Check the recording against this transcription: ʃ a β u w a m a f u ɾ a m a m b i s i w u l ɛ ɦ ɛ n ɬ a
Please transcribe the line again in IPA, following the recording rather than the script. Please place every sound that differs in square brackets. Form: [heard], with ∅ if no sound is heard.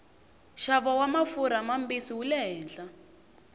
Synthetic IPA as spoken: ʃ a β [ɔ] w a m a f u ɾ a m a m b i s i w u l ɛ ɦ [ɛː] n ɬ a